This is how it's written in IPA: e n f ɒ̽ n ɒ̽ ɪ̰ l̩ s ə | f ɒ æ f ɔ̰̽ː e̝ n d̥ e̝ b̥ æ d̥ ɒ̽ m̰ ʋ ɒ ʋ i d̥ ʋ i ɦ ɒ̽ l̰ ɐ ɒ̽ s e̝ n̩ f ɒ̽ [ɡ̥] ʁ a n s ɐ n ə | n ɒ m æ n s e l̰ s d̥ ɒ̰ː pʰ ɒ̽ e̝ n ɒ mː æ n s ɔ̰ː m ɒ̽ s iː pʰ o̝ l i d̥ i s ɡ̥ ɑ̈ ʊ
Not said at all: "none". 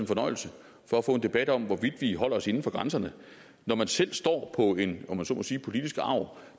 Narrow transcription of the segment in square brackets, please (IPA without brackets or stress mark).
ɡ̥